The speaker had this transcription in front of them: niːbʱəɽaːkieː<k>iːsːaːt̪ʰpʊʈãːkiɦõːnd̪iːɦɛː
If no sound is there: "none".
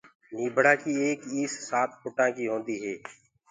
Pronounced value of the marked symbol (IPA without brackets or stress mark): k